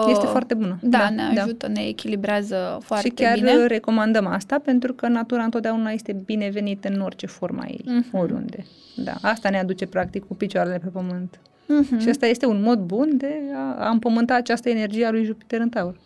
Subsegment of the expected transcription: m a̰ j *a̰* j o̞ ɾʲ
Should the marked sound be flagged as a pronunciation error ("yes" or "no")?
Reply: yes